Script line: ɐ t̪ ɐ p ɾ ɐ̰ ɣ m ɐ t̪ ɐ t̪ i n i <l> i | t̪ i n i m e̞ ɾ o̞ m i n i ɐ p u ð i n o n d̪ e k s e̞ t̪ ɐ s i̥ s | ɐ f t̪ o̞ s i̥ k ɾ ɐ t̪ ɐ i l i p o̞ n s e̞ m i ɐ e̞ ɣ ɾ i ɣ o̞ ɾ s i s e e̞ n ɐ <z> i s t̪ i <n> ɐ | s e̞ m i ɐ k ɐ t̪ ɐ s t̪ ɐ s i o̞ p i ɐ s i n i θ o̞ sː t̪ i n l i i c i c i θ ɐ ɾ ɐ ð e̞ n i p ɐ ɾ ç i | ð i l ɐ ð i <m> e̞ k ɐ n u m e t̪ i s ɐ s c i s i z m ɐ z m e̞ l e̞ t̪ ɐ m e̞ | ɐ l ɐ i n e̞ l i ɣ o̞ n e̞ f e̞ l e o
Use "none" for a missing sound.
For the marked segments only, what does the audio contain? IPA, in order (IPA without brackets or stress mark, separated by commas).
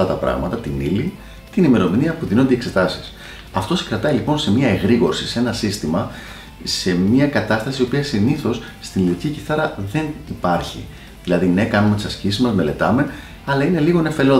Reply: l, s, m, n